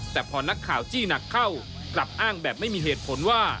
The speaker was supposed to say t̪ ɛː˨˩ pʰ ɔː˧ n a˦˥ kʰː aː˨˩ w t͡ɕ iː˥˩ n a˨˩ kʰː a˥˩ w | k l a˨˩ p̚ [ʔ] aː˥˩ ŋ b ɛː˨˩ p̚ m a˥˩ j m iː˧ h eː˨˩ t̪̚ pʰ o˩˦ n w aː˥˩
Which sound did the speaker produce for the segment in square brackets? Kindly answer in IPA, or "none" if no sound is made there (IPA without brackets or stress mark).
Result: ʔ